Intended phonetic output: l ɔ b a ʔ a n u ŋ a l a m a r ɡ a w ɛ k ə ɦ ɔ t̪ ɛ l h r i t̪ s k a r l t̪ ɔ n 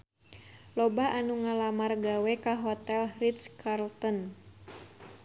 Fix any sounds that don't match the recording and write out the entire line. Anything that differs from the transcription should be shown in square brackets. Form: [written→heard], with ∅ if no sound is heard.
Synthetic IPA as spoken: l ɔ b a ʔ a n u ŋ a l a m a r ɡ a w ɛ k [ə→a] ɦ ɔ t̪ ɛ l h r i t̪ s k a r l t̪ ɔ n